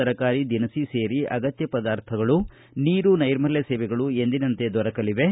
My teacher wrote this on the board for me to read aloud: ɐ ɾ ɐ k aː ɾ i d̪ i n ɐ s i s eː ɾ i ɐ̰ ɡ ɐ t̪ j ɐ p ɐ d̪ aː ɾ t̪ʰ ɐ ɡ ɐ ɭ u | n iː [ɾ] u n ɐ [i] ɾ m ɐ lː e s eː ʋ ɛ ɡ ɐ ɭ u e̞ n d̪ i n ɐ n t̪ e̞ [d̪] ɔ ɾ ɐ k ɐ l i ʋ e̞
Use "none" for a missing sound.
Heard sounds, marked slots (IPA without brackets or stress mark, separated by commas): ɾ, j, d̪